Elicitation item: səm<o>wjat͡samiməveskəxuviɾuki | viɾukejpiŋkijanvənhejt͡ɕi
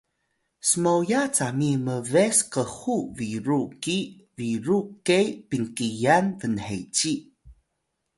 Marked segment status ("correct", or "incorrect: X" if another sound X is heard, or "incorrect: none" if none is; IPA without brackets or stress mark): correct